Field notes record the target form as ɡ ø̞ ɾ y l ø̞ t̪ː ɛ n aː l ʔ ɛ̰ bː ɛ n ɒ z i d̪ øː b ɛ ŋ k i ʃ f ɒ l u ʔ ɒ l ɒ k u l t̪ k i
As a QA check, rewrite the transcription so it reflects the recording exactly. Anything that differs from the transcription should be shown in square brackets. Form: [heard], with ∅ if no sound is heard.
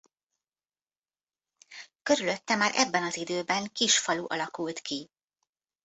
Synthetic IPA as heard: [k] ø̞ ɾ y l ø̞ t̪ː ɛ [m] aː [ɾ] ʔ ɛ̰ bː ɛ n ɒ z i d̪ øː b ɛ ŋ k i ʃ f ɒ l u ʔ ɒ l ɒ k u l t̪ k i